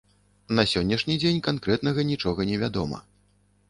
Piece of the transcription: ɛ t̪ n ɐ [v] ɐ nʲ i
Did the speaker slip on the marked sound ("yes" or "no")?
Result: yes